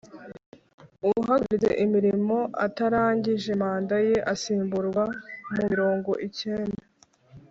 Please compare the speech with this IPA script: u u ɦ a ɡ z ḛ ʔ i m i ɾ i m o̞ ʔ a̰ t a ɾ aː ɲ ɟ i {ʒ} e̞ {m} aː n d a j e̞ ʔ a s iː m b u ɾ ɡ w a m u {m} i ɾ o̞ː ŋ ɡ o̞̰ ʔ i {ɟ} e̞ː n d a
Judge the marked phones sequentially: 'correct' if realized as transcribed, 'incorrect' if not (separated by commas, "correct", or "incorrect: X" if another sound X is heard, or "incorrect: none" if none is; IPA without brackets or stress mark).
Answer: correct, correct, correct, incorrect: c